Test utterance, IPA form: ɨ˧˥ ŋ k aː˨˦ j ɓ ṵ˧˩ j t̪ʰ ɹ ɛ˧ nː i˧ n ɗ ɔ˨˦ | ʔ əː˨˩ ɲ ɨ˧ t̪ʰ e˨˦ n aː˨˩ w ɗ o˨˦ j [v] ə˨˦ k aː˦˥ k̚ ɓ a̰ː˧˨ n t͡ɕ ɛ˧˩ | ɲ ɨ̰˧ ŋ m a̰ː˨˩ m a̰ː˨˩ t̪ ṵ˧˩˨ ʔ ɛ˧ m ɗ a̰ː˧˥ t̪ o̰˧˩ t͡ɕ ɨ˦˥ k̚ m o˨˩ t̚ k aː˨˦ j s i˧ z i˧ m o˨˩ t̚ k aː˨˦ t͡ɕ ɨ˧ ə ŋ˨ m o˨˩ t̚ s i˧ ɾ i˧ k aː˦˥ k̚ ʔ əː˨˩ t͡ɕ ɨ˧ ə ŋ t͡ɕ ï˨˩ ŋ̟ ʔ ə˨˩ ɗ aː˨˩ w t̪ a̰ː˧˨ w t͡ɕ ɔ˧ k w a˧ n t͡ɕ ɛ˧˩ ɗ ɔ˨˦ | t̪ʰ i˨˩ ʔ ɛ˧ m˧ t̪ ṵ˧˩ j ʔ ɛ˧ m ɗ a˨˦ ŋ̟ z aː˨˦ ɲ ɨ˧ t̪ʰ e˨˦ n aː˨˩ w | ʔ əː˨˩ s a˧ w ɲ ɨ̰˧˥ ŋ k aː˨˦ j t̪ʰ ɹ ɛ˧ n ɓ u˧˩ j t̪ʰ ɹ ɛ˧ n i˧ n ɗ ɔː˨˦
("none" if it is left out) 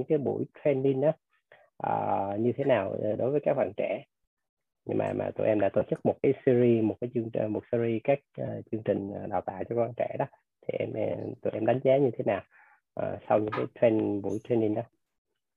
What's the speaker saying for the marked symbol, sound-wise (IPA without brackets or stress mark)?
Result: v